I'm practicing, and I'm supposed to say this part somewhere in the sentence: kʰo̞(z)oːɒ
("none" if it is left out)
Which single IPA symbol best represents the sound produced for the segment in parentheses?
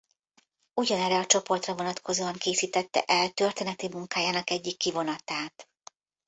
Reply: z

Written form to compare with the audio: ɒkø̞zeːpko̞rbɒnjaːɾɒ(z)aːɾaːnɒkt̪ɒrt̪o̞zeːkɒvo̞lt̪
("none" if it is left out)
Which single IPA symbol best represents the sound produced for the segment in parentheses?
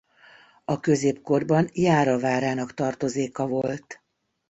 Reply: v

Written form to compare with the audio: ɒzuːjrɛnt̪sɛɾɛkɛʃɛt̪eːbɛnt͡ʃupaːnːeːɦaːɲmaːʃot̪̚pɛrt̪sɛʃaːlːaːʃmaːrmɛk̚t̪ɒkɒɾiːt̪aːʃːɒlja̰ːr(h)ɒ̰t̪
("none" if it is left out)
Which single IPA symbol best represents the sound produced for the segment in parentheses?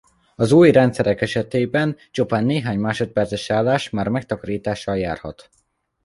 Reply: h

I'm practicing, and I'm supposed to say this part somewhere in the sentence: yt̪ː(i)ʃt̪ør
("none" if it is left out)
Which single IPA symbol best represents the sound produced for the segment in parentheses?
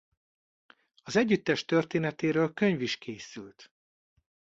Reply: ɛ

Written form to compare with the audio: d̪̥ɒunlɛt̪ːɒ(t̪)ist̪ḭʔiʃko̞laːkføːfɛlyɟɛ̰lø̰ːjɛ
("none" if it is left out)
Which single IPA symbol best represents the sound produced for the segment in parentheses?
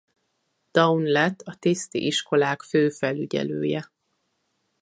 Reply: t̪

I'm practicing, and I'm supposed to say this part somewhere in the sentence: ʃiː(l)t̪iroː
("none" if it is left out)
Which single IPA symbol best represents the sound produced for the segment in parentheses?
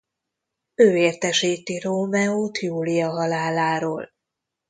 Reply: none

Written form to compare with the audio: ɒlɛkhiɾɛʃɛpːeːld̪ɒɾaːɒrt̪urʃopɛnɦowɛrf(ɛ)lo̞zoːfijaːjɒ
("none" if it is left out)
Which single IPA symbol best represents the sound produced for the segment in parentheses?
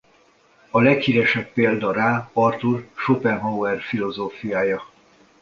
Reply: i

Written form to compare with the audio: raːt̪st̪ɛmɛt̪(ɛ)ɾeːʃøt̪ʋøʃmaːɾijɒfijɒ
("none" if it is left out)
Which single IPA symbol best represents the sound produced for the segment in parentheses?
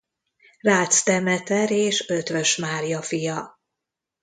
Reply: ɛ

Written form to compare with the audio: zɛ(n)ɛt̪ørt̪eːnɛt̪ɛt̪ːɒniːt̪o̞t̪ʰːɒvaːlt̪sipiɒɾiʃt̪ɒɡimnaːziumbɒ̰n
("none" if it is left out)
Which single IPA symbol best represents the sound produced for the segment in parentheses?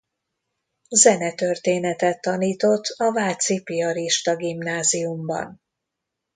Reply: n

